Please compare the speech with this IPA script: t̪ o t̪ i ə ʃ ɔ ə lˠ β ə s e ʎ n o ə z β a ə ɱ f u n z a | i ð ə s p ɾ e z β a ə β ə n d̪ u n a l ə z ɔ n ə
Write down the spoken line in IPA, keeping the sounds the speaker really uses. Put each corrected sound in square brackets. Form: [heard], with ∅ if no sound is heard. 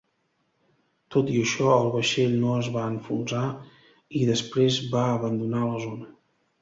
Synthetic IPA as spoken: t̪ o t̪ i ə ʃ ɔ ə lˠ β ə [ʃ] e ʎ n o ə z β a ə ɱ f u n z a | i ð ə s p ɾ e z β a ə β ə n d̪ u n a l ə z [o] n ə